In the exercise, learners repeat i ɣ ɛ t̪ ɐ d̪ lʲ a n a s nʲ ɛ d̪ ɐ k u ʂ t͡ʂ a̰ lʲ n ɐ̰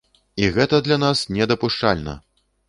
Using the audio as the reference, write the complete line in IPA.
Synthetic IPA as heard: i ɣ ɛ t̪ ɐ d̪ lʲ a n a s nʲ ɛ d̪ ɐ p u ʂ t͡ʂ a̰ lʲ n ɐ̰

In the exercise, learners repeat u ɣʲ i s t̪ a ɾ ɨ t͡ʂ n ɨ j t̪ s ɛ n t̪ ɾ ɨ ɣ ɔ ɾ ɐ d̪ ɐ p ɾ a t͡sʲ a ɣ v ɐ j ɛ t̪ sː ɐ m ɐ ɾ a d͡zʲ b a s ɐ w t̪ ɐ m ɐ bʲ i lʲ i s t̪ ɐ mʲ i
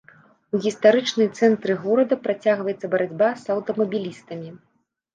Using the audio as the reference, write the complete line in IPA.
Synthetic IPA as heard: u ɣʲ i s t̪ a ɾ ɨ t͡ʂ n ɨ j t̪ s ɛ n t̪ ɾ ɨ ɣ ɔ ɾ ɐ d̪ ɐ p ɾ a t͡sʲ a ɣ v ɐ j ɛ t̪ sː ɐ b ɐ ɾ a d͡zʲ b a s ɐ w t̪ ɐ m ɐ bʲ i lʲ i s t̪ ɐ mʲ i

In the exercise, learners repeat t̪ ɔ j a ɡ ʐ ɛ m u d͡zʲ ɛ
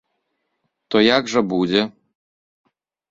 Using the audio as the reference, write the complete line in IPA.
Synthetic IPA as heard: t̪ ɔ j a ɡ ʐ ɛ b u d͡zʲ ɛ

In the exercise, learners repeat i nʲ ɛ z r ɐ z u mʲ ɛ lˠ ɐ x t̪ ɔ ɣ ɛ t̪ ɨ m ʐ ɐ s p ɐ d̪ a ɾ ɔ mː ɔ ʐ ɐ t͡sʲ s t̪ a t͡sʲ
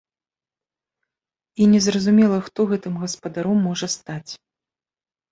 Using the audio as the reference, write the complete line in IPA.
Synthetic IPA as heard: i nʲ ɛ z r ɐ z u mʲ ɛ lˠ ɐ x t̪ ɔ ɣ ɛ t̪ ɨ m ɣ ɐ s p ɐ d̪ a ɾ ɔ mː ɔ ʐ ɐ s t̪ a t͡sʲ

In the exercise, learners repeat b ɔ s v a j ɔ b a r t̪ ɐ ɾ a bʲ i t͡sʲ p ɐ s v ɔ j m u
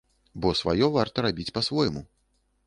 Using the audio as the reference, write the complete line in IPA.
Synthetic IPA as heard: b ɔ s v a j ɔ v a r t̪ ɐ ɾ a bʲ i t͡sʲ p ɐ s v ɔ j m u

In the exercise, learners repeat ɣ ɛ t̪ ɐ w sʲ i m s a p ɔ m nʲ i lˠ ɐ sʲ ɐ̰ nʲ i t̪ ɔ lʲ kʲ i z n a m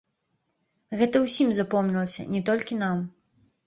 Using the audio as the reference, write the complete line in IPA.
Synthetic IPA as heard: ɣ ɛ t̪ ɐ w sʲ i m z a p ɔ m nʲ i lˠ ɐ sʲ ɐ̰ nʲ ɛ t̪ ɔ lʲ kʲ i n a m

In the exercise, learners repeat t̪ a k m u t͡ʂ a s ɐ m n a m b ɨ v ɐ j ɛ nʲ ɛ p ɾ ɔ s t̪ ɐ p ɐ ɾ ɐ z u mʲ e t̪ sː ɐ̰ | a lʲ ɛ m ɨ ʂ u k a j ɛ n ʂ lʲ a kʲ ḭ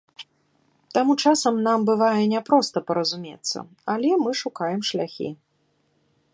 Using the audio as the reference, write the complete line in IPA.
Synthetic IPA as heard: t̪ a m u t͡ʂ a s ɐ m n a m b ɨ v a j ɛ nʲ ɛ p ɾ ɔ s t̪ ɐ p ɐ ɾ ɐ z u mʲ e t̪ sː ɐ̰ | a lʲ ɛ m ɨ ʂ u k a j ɛ m ʂ lʲ a xʲ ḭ

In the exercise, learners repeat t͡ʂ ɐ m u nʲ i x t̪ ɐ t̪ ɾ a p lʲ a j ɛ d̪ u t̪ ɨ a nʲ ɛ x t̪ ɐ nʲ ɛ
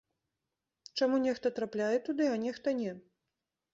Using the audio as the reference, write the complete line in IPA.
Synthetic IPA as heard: t͡ʂ a m u nʲ ɛ x t̪ ɐ t̪ ɾ a p lʲ a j ɛ t̪ u d̪ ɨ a nʲ ɛ x t̪ ɐ nʲ ɛ

